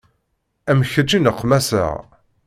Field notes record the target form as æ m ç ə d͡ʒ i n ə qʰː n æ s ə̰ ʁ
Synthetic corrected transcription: æ m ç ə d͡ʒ i n ə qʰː m æ s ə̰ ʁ